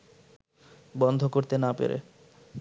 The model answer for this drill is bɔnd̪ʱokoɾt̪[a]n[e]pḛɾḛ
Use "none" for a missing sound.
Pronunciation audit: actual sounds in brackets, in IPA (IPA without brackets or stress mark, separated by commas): e, a